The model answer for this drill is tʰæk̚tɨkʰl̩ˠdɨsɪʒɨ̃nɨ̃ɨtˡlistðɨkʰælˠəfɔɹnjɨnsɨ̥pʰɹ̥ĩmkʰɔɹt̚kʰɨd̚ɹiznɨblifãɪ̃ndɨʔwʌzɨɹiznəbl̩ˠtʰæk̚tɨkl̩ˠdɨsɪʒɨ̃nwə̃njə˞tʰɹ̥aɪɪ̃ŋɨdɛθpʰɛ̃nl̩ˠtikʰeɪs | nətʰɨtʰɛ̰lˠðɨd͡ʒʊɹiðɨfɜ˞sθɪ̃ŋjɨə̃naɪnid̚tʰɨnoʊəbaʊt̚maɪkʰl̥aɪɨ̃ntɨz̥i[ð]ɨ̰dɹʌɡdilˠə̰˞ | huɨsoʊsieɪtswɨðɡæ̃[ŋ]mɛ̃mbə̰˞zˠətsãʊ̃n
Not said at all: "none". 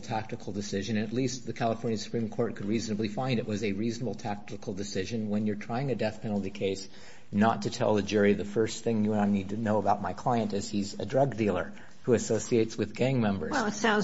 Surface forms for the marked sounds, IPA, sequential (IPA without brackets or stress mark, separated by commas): z, ŋ